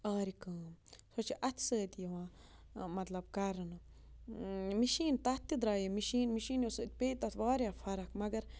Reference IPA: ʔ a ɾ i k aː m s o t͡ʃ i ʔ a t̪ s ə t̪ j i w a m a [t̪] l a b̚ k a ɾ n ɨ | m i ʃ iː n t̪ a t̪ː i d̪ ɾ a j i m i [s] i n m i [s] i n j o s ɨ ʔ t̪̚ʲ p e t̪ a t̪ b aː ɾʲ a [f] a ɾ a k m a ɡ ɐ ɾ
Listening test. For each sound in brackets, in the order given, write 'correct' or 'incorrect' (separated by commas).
correct, incorrect, incorrect, correct